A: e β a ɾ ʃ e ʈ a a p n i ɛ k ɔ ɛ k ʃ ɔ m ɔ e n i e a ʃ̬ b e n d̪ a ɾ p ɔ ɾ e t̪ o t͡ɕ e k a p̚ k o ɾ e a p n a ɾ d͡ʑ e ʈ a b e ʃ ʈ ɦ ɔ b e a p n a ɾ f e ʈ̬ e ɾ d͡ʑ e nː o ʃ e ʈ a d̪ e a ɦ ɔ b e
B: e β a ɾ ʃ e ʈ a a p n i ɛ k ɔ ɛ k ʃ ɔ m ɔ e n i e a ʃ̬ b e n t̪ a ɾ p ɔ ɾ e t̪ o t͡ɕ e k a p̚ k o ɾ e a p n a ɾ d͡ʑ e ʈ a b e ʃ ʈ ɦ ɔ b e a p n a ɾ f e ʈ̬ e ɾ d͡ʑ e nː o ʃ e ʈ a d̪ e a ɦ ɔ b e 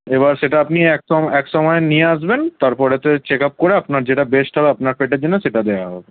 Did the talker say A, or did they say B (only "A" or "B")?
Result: B